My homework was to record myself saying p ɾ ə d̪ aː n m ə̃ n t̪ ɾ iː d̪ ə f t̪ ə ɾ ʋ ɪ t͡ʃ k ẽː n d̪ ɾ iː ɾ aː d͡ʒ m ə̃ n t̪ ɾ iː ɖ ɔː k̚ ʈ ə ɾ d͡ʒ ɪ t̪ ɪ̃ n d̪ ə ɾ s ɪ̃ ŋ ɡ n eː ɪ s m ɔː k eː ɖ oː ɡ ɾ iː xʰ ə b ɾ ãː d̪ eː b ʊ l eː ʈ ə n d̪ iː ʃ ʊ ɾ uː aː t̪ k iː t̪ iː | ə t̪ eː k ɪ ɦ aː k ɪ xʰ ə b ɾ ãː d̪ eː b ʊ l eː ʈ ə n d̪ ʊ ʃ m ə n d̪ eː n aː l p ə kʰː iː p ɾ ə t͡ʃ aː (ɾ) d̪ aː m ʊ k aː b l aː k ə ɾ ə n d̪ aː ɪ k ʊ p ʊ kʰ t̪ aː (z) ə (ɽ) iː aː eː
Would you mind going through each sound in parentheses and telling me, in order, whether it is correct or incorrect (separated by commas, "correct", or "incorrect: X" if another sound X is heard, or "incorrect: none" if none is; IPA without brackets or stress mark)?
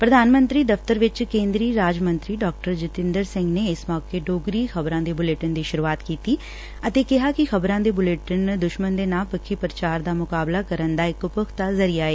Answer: correct, correct, incorrect: ɾ